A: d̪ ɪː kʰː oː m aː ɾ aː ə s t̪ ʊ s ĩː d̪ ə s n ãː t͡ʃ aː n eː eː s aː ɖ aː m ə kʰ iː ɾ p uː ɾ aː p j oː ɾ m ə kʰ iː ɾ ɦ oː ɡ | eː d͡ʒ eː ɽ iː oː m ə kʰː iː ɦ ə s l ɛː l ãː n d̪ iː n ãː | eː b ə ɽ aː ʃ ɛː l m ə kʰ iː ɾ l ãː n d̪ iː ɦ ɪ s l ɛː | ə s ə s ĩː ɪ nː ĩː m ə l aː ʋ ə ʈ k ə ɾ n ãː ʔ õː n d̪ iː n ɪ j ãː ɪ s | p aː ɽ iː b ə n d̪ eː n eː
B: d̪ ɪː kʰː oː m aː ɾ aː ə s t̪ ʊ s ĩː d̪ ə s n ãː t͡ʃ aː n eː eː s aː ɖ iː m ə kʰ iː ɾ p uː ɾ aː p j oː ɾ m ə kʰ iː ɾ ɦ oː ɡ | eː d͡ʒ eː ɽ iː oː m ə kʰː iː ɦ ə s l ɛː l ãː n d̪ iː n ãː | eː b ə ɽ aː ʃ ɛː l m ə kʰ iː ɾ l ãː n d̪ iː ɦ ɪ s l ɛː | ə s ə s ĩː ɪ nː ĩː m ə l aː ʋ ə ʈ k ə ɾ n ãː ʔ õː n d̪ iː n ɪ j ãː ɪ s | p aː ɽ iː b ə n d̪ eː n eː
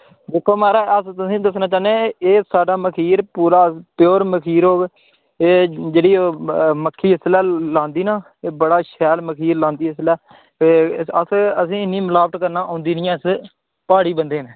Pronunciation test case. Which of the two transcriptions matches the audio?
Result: A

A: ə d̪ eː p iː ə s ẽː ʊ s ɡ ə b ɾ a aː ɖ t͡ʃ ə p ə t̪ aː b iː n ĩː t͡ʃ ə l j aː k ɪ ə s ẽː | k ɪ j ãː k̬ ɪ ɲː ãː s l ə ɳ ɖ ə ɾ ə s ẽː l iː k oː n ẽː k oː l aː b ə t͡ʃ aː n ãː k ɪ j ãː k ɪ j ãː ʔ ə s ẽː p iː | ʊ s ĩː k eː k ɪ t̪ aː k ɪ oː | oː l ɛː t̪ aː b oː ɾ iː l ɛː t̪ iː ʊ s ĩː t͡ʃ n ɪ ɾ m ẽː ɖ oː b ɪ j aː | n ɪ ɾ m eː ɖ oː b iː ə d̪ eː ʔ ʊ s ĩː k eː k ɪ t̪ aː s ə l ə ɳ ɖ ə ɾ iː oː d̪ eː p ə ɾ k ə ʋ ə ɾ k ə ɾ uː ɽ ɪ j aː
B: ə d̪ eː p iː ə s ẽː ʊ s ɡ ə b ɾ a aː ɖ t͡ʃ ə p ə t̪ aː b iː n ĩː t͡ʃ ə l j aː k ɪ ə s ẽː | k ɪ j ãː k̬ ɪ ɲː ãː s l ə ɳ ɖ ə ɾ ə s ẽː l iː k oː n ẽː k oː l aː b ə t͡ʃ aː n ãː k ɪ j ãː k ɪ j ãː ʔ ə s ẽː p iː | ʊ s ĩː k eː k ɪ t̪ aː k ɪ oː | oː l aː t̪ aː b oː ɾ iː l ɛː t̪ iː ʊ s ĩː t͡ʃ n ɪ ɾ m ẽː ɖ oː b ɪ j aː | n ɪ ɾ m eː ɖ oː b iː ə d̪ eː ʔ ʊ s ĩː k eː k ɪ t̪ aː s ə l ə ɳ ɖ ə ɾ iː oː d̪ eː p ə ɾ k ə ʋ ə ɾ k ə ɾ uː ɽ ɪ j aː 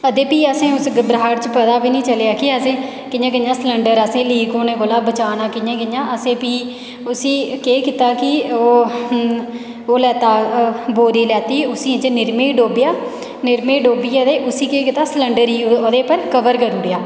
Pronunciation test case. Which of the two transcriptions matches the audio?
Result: A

